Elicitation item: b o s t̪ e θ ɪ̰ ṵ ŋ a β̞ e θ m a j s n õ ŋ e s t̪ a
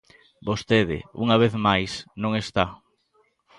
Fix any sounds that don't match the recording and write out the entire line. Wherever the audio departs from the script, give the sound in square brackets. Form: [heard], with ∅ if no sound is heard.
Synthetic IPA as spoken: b o s t̪ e [ð] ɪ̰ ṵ ŋ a β̞ e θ m a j s n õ ŋ e s t̪ a